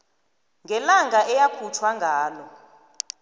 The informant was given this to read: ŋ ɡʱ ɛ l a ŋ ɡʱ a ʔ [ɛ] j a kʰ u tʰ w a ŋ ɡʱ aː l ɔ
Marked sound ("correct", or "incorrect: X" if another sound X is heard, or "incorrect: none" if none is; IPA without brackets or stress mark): correct